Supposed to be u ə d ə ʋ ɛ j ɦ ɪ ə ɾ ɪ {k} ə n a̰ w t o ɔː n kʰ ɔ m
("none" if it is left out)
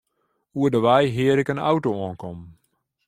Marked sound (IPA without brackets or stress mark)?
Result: k